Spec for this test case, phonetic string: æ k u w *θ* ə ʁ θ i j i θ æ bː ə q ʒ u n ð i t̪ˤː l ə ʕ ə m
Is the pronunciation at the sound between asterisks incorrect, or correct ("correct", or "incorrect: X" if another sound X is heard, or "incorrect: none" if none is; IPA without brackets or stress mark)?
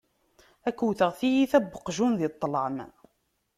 correct